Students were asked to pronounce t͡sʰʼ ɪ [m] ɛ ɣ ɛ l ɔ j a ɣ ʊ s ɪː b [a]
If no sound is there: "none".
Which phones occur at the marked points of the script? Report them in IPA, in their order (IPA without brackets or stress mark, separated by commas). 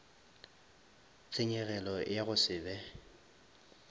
ɲ, ɛ